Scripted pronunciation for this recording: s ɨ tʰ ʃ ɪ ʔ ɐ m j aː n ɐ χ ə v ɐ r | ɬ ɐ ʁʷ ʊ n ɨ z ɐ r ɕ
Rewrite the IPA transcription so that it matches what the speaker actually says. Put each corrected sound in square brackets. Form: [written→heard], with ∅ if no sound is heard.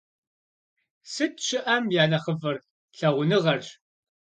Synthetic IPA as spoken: s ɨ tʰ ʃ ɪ ʔ ɐ m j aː n ɐ χ ə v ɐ r | ɬ ɐ ʁʷ ʊ n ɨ [z→ʁ] ɐ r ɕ